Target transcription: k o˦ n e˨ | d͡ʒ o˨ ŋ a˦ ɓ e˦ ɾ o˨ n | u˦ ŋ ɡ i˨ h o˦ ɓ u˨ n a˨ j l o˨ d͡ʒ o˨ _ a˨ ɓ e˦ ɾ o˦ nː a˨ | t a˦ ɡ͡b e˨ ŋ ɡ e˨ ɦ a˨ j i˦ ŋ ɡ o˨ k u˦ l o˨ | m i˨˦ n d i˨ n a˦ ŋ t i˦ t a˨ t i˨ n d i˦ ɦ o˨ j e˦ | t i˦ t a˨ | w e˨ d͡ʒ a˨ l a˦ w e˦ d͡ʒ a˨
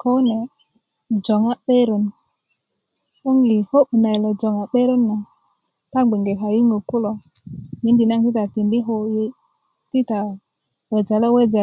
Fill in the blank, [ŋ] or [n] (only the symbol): ŋ